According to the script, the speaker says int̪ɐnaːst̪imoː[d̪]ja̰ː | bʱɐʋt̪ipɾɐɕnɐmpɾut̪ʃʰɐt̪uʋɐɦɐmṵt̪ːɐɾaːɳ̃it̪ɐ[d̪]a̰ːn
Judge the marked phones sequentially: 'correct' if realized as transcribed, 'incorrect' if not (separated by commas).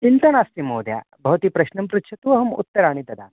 correct, correct